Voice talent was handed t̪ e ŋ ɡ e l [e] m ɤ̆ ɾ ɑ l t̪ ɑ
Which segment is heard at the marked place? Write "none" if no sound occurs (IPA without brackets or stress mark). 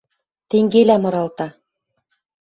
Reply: æ